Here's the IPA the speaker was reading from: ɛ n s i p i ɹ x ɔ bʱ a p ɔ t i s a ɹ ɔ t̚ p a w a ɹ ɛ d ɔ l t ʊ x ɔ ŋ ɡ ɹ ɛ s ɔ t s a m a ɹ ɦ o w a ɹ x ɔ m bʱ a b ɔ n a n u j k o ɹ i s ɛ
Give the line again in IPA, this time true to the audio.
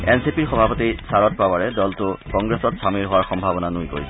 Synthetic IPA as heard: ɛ n s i p i ɹ x ɔ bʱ a p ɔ t i s a ɹ ɔ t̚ p a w a ɹ ɛ d ɔ l t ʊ k ɔ ŋ ɡ ɹ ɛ s ɔ t s a m i ɹ ɦ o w a ɹ x ɔ m bʱ a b ɔ n a n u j k o ɹ i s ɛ